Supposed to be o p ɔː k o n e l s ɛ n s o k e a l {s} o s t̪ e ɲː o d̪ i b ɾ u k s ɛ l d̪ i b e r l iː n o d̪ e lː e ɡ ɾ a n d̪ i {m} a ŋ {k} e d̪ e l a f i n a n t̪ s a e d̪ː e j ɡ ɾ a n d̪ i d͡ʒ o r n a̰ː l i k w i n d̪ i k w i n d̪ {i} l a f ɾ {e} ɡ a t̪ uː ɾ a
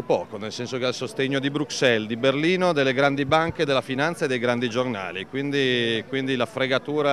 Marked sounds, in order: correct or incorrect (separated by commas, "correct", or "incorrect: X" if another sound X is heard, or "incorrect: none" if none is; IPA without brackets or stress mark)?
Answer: correct, incorrect: b, correct, correct, correct